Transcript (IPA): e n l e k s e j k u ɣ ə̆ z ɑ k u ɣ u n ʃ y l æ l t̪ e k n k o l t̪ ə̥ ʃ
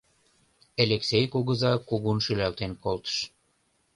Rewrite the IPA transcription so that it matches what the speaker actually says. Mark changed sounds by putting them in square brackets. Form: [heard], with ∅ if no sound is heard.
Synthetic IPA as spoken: e [∅] l e k s e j k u ɣ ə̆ z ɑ k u ɣ u n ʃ y l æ l t̪ e [∅] n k o l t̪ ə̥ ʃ